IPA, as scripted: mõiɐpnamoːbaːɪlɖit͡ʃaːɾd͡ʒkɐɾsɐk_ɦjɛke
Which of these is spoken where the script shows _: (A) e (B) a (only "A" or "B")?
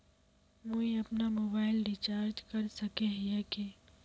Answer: A